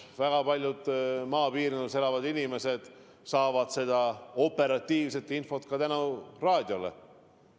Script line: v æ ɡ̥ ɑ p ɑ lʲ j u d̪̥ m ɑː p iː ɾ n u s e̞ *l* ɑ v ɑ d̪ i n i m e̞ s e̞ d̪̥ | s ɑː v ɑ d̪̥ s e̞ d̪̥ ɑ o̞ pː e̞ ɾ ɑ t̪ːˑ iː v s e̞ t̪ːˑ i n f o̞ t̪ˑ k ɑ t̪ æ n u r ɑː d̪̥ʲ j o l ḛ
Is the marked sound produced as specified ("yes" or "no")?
yes